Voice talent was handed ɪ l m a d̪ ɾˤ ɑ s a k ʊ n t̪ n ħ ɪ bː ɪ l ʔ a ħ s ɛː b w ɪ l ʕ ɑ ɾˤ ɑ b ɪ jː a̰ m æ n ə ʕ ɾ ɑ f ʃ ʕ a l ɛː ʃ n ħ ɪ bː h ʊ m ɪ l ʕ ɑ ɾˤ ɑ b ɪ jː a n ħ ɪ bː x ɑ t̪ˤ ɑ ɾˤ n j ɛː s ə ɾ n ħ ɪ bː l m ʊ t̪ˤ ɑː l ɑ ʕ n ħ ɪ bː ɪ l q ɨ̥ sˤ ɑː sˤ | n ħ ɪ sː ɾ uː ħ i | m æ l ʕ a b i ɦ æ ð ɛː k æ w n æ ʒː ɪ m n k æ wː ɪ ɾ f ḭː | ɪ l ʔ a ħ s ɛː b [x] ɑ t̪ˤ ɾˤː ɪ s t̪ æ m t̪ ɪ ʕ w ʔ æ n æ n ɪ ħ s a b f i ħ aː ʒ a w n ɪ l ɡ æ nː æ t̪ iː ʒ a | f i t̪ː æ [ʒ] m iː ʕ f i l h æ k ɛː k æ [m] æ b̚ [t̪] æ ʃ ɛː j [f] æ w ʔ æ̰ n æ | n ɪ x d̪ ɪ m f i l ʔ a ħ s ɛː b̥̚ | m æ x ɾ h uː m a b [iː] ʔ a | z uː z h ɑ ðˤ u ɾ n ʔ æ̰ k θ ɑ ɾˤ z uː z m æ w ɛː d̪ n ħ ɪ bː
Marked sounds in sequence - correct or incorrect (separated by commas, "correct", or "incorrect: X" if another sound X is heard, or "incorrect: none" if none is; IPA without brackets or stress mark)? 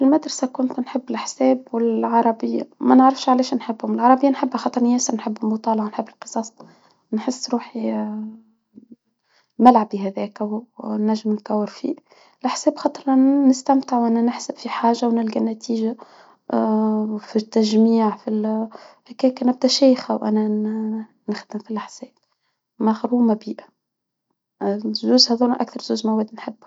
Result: correct, correct, incorrect: n, incorrect: d̪, incorrect: x, correct